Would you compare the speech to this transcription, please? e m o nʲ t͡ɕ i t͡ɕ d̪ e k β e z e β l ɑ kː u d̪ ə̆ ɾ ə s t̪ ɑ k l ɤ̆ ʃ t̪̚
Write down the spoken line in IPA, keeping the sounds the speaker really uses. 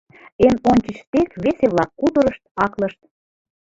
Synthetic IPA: e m o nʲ t͡ɕ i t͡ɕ t̪ e k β e s e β l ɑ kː u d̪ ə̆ ɾ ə ʃ t̪ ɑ k l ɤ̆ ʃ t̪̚